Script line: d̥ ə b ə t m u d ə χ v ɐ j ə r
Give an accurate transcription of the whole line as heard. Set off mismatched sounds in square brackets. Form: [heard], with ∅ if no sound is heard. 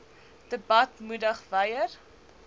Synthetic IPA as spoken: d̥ ə b [ɐ] t m u d ə χ v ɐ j ə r